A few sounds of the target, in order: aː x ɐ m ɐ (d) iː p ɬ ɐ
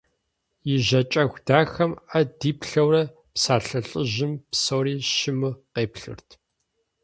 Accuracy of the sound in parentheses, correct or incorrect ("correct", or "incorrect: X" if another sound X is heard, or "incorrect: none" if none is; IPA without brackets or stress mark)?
correct